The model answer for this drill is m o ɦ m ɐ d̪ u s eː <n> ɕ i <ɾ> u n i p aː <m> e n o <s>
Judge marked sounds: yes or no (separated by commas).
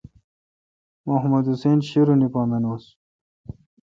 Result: yes, yes, yes, yes